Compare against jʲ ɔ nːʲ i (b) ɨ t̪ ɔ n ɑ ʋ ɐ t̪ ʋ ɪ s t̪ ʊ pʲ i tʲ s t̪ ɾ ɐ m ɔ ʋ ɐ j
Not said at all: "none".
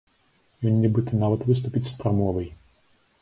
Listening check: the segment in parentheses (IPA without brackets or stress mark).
b